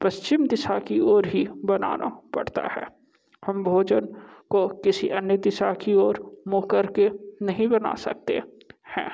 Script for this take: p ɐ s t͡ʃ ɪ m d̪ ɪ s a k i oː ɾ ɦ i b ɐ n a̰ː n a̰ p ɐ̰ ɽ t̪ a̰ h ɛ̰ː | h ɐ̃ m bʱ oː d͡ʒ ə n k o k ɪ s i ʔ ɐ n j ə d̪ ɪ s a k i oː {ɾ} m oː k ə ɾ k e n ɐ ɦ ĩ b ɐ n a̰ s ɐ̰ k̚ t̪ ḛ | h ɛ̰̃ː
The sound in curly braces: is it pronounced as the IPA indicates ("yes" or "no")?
yes